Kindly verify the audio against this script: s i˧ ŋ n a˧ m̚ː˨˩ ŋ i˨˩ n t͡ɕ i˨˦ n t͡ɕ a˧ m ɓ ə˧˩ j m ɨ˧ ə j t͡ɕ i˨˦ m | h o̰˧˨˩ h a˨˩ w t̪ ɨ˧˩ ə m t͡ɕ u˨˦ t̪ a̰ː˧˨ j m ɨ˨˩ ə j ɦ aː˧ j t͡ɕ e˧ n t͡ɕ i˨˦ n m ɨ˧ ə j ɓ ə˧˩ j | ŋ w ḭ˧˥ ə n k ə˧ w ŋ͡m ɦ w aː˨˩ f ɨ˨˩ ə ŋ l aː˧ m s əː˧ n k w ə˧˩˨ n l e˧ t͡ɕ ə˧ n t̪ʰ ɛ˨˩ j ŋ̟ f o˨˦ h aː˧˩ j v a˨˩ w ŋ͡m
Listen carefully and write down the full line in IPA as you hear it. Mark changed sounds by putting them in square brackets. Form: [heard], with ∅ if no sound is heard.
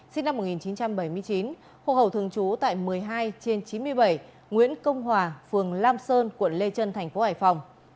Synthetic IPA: s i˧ ŋ n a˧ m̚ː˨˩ ŋ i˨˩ n t͡ɕ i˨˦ n t͡ɕ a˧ m ɓ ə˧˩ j m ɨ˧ ə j t͡ɕ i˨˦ [n] | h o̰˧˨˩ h [ə˨˩] w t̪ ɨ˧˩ ə [ŋ] t͡ɕ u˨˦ t̪ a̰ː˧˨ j m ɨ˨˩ ə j ɦ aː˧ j t͡ɕ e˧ n t͡ɕ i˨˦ n m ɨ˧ ə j ɓ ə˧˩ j | ŋ w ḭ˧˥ ə n k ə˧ w ŋ͡m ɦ w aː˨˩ f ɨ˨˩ ə ŋ l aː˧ m s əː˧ n k w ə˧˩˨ n l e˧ t͡ɕ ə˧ n t̪ʰ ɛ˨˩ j ŋ̟ f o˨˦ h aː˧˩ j [f] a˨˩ w ŋ͡m